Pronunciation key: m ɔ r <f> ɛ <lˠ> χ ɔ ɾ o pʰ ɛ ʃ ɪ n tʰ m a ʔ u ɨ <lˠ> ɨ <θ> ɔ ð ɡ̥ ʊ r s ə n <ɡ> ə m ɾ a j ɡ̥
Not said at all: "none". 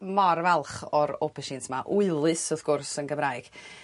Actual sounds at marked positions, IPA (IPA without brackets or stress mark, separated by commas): v, lˠ, lˠ, s, ɡ